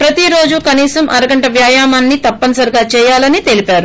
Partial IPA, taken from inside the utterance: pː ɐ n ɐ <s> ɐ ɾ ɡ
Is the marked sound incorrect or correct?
correct